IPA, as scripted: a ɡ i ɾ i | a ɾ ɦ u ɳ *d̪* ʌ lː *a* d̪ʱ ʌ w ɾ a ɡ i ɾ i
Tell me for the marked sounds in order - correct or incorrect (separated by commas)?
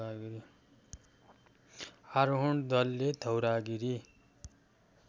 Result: correct, incorrect